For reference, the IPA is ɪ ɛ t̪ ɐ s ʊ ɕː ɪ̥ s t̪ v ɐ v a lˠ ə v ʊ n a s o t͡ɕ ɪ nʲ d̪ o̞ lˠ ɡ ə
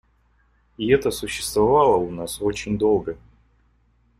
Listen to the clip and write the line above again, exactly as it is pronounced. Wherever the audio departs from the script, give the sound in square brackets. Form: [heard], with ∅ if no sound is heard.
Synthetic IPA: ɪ ɛ t̪ [ə] s ʊ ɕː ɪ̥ s t̪ v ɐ v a lˠ ə [∅] ʊ n a s o t͡ɕ ɪ nʲ d̪ o̞ lˠ ɡ ə